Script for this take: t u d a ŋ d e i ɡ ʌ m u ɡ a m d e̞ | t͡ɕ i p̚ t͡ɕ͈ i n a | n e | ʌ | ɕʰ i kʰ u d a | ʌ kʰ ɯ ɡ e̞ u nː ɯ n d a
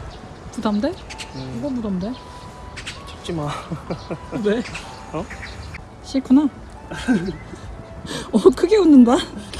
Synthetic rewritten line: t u d a m d e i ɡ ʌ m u d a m d e̞ | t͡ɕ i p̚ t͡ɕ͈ i m a | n e | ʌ | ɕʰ i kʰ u n a | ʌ kʰ ɯ ɡ e̞ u nː ɯ n d a